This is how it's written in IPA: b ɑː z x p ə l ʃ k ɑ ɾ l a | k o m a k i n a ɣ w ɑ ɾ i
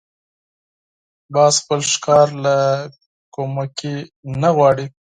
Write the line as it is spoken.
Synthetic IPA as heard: b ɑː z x p ə l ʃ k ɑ ɾ l a | k o m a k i n a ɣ w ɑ ɽ i